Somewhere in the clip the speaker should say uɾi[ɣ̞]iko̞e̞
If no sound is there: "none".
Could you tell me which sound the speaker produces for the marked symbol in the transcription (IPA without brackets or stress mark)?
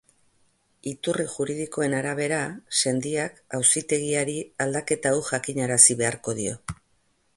ð̞